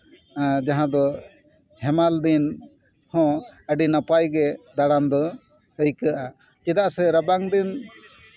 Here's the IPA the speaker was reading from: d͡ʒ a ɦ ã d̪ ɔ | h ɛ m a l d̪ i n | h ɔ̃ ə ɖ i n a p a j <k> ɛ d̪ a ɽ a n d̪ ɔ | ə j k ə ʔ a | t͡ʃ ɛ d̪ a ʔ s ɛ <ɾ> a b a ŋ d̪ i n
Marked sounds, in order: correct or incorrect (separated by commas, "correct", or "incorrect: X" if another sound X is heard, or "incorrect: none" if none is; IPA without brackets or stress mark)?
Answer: incorrect: ɡ, correct